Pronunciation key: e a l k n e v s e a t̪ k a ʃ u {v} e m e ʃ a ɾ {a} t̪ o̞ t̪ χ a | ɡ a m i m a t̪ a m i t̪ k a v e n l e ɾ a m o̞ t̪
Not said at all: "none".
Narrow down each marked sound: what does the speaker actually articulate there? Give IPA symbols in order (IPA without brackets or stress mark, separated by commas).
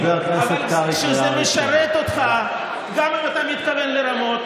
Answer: z, e